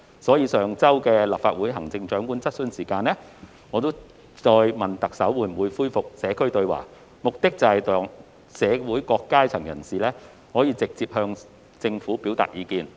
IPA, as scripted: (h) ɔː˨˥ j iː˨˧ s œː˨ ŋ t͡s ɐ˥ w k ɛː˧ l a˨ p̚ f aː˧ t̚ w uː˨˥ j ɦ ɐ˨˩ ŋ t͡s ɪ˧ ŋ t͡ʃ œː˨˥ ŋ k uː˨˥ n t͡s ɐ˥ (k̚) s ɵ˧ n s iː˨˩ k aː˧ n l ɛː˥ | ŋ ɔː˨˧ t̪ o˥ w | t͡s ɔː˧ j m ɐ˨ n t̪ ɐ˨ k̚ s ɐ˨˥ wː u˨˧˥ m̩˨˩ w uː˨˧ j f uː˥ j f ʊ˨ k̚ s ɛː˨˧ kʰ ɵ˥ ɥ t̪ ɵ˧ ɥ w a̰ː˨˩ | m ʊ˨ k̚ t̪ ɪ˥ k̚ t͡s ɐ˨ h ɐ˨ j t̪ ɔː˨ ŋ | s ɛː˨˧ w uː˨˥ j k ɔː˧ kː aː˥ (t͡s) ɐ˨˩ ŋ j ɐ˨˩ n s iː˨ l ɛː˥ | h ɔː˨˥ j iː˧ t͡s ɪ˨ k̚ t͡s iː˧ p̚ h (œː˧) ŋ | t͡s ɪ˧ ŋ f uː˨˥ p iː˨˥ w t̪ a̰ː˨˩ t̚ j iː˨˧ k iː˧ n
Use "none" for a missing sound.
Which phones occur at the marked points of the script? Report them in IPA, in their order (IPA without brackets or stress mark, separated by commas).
s, t̚, t͡sʰ, œː˧